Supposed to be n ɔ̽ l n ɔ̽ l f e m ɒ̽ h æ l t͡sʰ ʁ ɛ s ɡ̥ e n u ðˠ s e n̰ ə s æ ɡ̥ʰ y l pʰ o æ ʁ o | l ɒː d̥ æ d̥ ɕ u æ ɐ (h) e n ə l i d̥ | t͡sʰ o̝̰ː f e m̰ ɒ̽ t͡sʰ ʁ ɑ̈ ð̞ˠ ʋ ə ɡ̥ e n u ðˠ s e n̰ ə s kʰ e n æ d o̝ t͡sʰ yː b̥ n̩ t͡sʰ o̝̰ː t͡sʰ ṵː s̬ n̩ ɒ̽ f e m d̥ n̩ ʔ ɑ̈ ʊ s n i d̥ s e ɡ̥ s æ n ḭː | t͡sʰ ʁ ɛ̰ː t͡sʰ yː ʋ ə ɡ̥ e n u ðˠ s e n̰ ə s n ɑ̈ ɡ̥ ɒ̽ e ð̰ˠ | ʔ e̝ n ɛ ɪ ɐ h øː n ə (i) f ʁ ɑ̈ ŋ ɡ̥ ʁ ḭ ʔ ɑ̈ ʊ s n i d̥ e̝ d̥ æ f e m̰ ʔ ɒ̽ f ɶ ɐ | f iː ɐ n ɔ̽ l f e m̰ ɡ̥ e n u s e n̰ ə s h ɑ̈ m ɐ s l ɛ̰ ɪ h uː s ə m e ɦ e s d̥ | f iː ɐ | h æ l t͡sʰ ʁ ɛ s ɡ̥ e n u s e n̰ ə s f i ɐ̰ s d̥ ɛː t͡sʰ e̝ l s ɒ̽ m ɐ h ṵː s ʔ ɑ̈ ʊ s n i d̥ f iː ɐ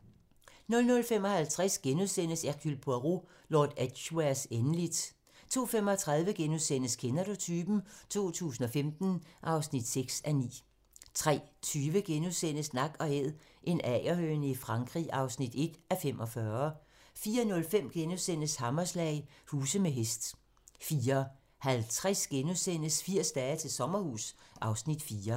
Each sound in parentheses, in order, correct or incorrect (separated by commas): incorrect, correct